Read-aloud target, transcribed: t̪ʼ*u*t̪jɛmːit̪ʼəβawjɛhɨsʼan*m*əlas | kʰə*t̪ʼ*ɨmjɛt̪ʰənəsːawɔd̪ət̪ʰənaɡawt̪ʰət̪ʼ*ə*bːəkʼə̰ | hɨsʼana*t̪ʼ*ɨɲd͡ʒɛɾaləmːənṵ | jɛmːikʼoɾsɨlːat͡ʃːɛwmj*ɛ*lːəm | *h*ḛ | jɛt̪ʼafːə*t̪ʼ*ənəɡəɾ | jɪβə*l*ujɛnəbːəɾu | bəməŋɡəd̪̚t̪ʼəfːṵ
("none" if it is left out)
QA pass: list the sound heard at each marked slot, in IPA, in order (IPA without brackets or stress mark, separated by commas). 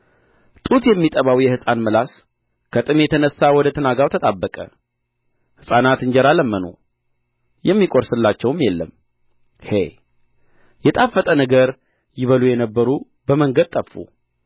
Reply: u, m, t̪ʼ, a, t̪, ɛ, h, t̪ʼ, l